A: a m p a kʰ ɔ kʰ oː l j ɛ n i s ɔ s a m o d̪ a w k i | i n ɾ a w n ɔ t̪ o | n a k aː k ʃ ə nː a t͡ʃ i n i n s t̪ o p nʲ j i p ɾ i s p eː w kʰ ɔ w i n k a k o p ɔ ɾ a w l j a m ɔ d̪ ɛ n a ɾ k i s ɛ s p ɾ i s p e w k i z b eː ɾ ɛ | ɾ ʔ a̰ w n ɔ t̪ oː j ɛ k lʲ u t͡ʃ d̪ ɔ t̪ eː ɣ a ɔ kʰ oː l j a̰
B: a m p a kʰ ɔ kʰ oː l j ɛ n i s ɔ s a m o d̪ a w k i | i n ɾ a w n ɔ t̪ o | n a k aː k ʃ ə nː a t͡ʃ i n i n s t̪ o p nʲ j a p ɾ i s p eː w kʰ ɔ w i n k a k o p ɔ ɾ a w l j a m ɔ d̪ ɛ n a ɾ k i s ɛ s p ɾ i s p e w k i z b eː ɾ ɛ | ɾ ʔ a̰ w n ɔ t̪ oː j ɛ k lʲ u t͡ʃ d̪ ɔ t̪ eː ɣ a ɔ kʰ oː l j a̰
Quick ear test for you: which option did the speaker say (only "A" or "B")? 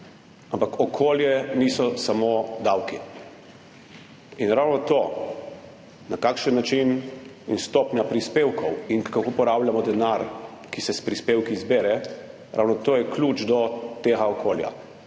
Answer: B